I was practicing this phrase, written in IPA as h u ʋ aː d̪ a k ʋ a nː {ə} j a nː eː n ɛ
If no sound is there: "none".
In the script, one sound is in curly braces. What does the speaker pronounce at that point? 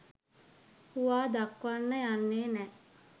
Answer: ə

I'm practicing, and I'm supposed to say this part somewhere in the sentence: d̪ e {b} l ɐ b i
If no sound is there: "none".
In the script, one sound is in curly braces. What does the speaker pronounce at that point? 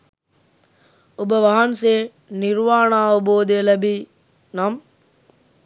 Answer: none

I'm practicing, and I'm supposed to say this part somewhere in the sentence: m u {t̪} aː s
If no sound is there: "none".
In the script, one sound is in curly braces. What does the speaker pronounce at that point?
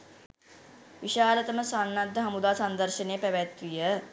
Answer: d̪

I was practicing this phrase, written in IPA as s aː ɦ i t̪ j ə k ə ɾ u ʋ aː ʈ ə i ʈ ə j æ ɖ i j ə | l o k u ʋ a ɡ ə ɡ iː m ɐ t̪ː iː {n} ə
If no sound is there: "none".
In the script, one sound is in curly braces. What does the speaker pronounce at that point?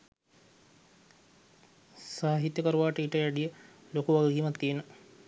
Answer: n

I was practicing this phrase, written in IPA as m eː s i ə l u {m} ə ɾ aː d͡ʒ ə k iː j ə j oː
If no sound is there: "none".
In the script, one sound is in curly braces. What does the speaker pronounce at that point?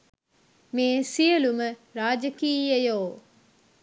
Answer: m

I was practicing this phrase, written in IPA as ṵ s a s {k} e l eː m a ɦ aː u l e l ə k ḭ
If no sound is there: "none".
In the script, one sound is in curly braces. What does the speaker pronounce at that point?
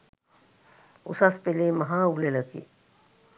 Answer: p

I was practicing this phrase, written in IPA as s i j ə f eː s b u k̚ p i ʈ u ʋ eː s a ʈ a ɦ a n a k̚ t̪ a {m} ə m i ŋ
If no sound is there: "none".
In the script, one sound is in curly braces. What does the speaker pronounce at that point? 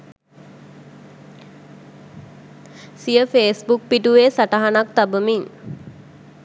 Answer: b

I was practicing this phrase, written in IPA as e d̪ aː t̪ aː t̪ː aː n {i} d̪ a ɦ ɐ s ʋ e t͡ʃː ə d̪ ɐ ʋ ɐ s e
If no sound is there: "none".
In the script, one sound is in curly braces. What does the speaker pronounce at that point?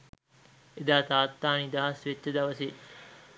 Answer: i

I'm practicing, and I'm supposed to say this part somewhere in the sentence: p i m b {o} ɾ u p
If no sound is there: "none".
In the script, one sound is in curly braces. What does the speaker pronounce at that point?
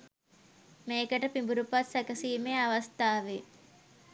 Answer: u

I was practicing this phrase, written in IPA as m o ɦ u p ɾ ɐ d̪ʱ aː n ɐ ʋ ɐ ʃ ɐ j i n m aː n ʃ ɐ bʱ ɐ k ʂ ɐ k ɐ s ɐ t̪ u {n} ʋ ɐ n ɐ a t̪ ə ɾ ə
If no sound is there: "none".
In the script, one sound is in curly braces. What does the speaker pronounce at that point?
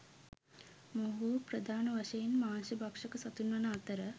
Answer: n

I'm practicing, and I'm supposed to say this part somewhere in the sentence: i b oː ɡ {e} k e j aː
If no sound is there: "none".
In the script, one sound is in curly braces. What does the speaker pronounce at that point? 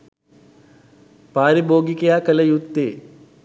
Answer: i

